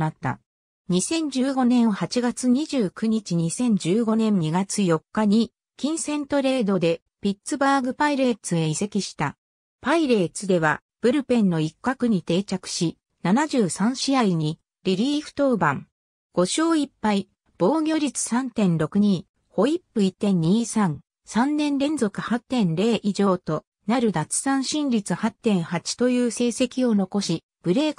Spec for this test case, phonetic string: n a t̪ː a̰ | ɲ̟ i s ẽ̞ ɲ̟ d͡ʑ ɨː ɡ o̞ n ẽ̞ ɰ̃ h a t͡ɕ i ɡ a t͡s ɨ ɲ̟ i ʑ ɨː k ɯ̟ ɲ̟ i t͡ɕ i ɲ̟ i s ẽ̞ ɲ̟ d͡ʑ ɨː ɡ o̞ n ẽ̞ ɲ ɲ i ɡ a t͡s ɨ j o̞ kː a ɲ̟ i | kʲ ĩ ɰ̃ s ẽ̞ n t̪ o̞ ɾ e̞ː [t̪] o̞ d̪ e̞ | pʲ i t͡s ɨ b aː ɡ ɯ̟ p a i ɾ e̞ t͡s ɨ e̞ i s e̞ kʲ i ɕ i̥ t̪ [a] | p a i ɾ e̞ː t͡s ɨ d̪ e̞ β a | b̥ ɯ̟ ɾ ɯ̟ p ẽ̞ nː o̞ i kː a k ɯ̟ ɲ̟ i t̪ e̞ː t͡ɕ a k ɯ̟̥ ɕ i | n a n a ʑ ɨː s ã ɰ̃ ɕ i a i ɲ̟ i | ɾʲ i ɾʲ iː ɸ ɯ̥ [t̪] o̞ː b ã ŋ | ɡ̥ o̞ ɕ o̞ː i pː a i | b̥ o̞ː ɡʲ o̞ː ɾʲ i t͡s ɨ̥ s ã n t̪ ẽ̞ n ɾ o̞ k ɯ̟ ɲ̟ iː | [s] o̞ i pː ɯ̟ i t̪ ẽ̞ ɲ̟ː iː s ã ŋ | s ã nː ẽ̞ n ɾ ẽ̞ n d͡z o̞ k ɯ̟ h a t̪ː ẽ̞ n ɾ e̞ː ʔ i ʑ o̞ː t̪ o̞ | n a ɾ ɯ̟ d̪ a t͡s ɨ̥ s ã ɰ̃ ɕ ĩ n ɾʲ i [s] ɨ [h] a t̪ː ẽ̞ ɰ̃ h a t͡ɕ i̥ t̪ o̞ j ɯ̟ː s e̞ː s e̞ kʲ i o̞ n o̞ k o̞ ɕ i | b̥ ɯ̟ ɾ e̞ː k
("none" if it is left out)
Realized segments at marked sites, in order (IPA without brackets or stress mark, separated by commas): d̪, a, t̪, h, t͡s, h